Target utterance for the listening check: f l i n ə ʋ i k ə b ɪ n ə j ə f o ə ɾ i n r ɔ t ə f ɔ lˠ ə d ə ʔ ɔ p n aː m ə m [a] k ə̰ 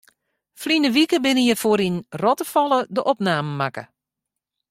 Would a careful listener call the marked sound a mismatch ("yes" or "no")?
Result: no